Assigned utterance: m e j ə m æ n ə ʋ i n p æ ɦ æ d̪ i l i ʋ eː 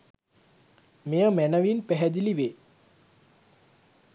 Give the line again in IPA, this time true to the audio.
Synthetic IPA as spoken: m e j ə m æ n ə ʋ i n p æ ɦ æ d̪ i l i ʋ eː